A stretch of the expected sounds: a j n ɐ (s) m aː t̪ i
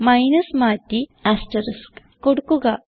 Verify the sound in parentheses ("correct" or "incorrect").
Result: correct